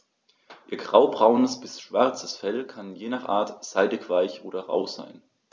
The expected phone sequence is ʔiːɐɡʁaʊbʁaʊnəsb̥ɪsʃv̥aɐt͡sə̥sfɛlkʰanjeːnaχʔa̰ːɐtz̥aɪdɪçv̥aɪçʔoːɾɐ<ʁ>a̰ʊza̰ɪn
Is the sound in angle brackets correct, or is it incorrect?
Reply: correct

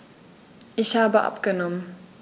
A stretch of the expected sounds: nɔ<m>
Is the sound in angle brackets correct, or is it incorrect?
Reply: correct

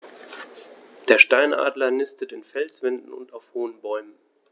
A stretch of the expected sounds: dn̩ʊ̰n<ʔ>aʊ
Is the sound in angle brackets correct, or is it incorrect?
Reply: incorrect: t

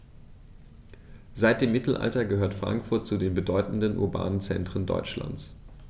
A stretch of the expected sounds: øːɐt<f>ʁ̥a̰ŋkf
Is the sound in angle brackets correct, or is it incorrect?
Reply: correct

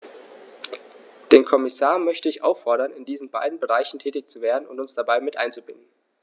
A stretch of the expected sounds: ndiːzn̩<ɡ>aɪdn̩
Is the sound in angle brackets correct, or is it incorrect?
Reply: incorrect: b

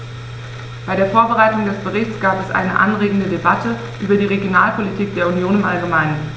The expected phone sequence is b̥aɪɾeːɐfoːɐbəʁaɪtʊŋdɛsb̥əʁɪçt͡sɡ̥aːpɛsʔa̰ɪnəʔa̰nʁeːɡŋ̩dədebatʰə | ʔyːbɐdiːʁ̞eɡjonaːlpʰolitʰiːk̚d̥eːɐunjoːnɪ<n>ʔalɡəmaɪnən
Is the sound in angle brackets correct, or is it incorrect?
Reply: incorrect: m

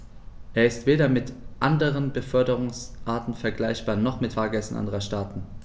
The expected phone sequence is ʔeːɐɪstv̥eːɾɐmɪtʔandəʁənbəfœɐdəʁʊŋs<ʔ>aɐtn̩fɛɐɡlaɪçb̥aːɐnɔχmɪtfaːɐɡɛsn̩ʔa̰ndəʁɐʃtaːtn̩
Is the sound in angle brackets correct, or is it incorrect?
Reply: correct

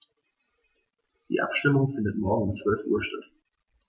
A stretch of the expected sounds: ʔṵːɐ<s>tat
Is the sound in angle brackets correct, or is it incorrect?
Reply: incorrect: ʃ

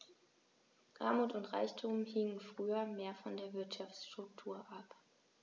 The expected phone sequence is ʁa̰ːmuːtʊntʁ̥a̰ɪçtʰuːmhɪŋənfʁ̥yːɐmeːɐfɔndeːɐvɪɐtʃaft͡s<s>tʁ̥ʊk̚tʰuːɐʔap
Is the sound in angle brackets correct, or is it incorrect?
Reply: incorrect: ʃ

